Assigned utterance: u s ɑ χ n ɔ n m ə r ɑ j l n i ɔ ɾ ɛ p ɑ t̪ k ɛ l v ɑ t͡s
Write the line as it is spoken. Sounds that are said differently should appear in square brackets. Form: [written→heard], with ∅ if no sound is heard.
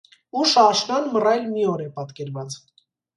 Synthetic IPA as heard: u [s→ʃ] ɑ [χ→ʃ] n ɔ n m ə r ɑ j l [n→m] i ɔ ɾ ɛ p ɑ t̪ k ɛ [l→ɾ] v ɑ t͡s